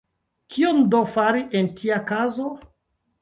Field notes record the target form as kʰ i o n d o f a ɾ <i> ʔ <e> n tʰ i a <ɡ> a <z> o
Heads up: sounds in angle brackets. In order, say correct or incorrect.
correct, correct, incorrect: k, correct

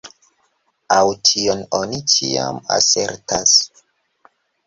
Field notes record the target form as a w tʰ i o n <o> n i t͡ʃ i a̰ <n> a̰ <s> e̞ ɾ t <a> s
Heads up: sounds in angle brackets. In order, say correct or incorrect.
correct, incorrect: m, correct, correct

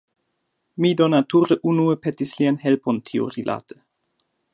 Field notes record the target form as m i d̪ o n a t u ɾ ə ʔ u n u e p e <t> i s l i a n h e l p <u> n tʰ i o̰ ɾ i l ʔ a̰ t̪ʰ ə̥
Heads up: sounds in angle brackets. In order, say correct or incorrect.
correct, incorrect: o

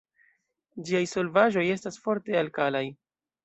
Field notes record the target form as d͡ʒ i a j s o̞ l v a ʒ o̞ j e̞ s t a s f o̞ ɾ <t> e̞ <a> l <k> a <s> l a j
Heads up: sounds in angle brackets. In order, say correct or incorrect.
correct, correct, correct, incorrect: none

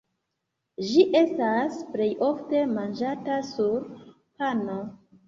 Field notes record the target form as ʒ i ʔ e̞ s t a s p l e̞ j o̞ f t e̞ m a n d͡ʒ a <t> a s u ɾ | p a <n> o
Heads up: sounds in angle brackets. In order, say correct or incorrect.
correct, correct

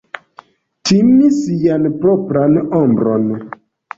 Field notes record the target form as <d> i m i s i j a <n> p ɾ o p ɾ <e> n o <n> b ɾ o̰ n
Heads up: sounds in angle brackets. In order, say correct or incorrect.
incorrect: t, correct, incorrect: a, incorrect: m

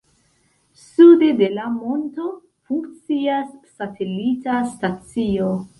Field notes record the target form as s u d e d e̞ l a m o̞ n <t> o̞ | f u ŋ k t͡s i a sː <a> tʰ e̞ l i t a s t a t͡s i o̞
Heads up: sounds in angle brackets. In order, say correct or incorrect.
correct, correct

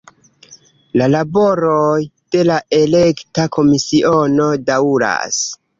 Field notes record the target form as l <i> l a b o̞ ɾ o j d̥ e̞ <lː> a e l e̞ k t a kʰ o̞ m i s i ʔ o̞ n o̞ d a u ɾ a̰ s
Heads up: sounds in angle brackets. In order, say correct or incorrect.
incorrect: a, incorrect: l

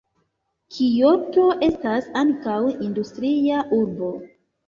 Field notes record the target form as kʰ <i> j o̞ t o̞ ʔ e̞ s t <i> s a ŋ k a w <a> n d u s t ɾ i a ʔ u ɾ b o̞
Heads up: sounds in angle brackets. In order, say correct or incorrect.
correct, incorrect: a, incorrect: i

